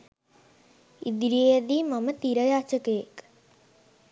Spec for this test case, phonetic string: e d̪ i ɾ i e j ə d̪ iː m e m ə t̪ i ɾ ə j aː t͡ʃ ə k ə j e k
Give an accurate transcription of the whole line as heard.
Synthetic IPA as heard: i d̪ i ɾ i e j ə d̪ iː m a m ə t̪ i ɾ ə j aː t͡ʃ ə k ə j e k